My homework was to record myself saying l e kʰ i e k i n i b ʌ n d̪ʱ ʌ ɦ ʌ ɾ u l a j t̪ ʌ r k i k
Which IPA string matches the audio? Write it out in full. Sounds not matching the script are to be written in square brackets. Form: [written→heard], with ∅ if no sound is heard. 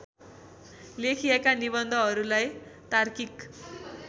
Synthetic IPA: l e kʰ i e k [i→a] n i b ʌ n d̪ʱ ʌ ɦ ʌ ɾ u l a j t̪ [ʌ→a] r k i k

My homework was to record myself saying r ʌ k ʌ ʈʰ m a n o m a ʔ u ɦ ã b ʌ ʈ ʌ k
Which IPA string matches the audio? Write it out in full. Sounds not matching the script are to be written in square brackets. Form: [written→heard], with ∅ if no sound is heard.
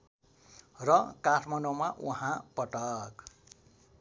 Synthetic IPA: r ʌ k [ʌ→a] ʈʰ m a n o m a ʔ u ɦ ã [b→p] ʌ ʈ ʌ k

